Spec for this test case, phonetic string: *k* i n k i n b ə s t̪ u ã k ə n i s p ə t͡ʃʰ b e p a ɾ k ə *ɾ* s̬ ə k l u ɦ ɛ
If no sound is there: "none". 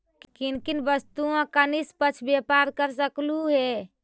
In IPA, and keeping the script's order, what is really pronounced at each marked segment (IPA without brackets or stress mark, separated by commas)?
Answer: k, ɾ